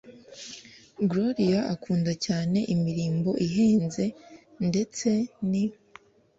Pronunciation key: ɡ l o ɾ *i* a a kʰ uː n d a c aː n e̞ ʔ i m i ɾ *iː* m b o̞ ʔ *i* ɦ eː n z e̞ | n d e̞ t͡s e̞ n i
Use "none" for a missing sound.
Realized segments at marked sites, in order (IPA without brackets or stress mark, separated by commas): i, iː, i